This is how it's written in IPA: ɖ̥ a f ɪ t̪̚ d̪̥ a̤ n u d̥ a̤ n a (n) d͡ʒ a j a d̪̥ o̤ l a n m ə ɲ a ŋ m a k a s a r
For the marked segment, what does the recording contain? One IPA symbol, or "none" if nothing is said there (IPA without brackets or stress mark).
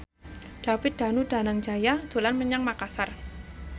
ŋ